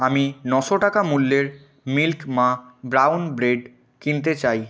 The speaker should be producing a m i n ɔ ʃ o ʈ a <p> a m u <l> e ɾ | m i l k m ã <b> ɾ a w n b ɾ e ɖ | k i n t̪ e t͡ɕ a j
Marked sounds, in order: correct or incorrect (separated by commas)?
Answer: incorrect, incorrect, correct